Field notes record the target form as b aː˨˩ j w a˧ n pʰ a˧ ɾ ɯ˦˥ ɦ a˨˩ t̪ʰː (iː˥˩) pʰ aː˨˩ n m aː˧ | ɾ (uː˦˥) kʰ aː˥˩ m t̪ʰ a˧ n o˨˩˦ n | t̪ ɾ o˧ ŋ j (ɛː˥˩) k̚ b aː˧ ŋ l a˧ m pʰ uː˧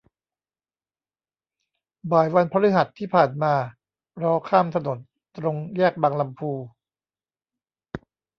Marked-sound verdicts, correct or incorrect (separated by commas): correct, incorrect, correct